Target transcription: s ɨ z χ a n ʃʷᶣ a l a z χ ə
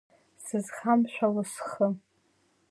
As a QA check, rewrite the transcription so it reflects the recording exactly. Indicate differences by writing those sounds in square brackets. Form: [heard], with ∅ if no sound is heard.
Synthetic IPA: s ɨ z χ a [m] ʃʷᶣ a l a [s] χ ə